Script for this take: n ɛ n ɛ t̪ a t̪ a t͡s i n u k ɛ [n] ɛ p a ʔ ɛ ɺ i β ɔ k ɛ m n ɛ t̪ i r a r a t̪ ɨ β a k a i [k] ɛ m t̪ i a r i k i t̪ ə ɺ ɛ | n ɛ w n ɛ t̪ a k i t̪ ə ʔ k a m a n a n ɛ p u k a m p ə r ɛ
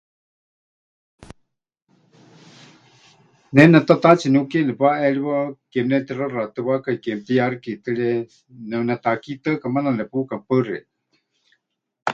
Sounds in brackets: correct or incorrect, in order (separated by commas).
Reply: correct, correct